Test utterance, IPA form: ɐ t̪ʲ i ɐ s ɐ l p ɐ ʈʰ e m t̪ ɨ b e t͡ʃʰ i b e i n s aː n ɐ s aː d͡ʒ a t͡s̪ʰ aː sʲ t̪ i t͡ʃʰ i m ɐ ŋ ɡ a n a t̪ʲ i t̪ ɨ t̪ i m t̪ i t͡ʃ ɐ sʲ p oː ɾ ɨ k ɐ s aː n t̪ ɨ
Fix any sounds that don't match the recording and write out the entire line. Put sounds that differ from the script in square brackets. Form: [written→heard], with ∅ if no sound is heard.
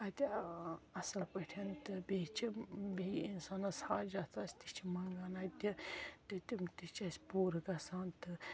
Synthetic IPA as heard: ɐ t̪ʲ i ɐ s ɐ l p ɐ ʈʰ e [m→n] t̪ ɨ b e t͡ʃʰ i b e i n s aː n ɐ s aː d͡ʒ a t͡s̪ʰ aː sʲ t̪ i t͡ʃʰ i m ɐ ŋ ɡ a n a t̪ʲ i t̪ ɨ t̪ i m t̪ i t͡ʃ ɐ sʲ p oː ɾ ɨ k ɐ s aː n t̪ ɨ

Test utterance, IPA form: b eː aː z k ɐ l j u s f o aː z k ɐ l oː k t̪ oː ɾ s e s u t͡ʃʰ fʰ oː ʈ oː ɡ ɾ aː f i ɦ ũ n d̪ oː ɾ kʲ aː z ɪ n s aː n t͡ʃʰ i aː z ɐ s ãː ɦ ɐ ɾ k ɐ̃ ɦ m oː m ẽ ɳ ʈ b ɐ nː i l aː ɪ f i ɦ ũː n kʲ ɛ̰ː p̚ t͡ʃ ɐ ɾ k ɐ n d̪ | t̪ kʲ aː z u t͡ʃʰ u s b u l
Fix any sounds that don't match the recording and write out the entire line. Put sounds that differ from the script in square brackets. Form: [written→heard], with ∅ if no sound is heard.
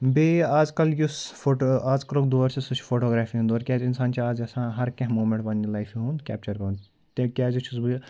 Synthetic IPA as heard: b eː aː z k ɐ l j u s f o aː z k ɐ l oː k [t̪→d̪] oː ɾ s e s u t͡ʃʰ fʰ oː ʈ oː ɡ ɾ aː f i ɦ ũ n d̪ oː ɾ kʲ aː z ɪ n s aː n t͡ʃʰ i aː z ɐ s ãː ɦ ɐ ɾ k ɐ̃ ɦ m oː m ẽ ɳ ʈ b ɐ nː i l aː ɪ f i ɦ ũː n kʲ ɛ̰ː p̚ t͡ʃ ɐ ɾ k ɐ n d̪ | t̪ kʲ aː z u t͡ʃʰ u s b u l

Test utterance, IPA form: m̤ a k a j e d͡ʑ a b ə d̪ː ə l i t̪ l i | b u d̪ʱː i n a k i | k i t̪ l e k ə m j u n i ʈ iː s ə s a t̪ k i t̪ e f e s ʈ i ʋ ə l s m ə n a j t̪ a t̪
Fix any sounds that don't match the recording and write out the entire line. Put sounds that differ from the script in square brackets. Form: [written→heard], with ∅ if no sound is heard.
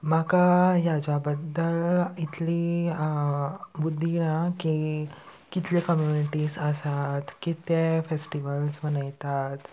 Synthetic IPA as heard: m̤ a k a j [e→a] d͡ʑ a b ə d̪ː ə l i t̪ l i | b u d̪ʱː i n a k i | k i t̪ l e k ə m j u n i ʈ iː s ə s a t̪ k i t̪ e f e s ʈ i ʋ ə l s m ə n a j t̪ a t̪

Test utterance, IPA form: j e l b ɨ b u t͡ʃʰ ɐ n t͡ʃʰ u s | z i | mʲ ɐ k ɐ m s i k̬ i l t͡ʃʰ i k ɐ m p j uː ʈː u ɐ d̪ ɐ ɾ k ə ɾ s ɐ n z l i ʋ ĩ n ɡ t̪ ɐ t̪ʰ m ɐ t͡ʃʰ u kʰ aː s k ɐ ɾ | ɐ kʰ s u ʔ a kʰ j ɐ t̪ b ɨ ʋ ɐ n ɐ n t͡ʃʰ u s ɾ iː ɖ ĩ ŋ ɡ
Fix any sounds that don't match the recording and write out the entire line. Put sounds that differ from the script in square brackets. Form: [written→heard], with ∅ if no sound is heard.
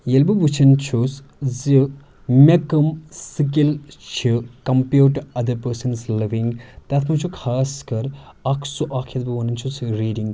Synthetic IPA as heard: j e l b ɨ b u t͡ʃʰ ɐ n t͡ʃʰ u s | z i | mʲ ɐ k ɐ m s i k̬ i l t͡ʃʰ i k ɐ m p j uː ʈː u ɐ d̪ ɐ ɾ [k→p] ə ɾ s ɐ n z l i ʋ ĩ [n→ŋ] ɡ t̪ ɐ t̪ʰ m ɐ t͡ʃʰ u kʰ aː s k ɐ ɾ | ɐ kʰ s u ʔ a kʰ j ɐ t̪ b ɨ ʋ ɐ n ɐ n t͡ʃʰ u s ɾ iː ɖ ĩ ŋ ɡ

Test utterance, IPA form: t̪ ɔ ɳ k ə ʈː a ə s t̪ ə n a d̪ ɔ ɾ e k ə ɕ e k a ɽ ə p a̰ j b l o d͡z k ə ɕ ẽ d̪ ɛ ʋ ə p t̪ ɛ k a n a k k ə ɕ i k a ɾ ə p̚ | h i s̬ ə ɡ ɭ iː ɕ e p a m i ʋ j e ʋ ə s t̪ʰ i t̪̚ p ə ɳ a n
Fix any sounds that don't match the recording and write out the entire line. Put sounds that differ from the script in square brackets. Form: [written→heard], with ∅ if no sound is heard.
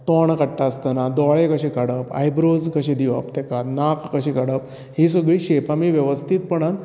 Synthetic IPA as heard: t̪ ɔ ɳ k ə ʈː a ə s t̪ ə n a d̪ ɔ [ɾ→ɭ] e k ə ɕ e k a ɽ ə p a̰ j b [l→ɾ] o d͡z k ə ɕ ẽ d̪ [ɛ→i] ʋ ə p t̪ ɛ k a n a k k ə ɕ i k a [ɾ→ɽ] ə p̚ | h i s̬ ə ɡ ɭ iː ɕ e p a m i ʋ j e ʋ ə s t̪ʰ i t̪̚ p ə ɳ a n

